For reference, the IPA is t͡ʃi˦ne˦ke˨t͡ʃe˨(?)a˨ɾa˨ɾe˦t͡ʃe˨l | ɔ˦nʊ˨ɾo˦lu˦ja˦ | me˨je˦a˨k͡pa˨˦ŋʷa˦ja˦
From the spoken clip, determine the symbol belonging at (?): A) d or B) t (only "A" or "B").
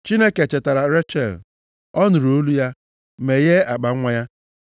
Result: B